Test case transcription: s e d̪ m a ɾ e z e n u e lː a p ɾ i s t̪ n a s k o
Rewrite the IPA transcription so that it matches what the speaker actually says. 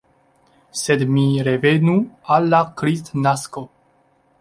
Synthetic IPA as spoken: s e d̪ m i ɾ e v e n u a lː a k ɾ i s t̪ n a s k o

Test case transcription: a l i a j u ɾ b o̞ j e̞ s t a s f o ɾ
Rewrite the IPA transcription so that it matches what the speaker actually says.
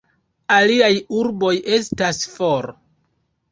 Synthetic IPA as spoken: a l i a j u ɾ b o̞ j e̞ s t a s f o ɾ

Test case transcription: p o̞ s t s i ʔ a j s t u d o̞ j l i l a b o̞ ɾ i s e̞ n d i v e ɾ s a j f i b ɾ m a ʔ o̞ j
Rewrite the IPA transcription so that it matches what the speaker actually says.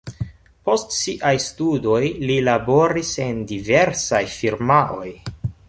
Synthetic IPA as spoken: p o̞ s t s i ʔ a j s t u d o̞ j l i l a b o̞ ɾ i s e̞ n d i v e ɾ s a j f i ɾ m a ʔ o̞ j

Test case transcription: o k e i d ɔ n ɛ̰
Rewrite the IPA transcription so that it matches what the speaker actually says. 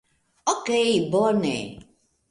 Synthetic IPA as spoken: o k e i b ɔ n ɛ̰

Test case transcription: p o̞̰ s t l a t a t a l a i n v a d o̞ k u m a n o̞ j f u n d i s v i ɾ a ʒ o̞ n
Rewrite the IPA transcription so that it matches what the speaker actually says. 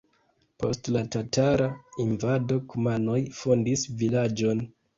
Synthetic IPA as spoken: p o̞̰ s t l a t a t a ɾ a i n v a d o̞ k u m a n o̞ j f o n d i s v i l a d͡ʒ o̞ n

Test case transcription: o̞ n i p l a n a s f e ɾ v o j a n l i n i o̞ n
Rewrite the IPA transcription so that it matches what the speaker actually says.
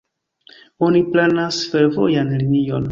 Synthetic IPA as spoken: o̞ n i p l a n a s f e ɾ v o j a n l i n i o̞ n

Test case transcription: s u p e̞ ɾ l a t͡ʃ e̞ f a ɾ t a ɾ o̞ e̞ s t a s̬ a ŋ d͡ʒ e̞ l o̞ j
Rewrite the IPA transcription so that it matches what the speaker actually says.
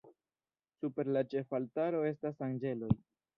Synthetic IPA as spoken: s u p e̞ ɾ l a t͡ʃ e̞ f a l t a ɾ o̞ e̞ s t a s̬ a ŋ d͡ʒ e̞ l o̞ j

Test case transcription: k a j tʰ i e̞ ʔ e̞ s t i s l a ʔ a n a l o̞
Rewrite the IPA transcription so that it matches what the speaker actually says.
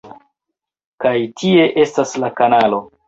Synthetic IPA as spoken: k a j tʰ i e̞ ʔ e̞ s t a s l a k a n a l o̞

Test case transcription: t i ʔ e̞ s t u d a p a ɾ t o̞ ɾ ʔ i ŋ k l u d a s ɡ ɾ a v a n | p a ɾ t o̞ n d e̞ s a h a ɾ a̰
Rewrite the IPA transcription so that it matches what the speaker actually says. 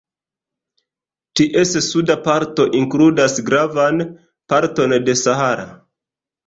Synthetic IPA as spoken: t i ʔ e̞ s s u d a p a ɾ t o̞ ʔ i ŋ k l u d a s ɡ ɾ a v a n | p a ɾ t o̞ n d e̞ s a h a ɾ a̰

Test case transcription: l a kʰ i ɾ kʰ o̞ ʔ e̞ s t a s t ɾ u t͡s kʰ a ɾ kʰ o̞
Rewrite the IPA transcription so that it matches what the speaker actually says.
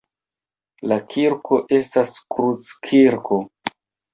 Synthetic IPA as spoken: l a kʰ i ɾ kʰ o̞ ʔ e̞ s t a s k ɾ u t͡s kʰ i ɾ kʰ o̞

